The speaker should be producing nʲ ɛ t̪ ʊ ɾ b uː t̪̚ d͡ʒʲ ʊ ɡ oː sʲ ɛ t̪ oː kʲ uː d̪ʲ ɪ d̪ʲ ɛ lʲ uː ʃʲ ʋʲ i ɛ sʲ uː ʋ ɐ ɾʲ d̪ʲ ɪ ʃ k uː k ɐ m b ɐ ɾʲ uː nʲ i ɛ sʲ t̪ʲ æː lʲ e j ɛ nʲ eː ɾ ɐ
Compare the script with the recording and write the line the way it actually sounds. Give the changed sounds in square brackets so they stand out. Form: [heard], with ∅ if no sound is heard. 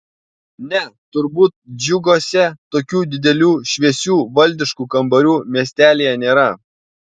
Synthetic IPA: nʲ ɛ t̪ ʊ ɾ b uː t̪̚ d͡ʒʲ ʊ ɡ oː sʲ ɛ t̪ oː kʲ uː d̪ʲ ɪ d̪ʲ ɛ lʲ uː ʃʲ ʋʲ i ɛ sʲ uː ʋ ɐ [lʲ] d̪ʲ ɪ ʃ k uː k ɐ m b ɐ ɾʲ uː [mʲ] i ɛ sʲ t̪ʲ æː lʲ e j ɛ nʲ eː ɾ ɐ